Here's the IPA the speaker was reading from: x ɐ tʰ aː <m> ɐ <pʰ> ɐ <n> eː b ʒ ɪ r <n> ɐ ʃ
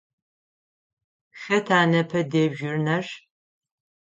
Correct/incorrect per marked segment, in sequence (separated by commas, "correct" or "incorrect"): incorrect, correct, incorrect, correct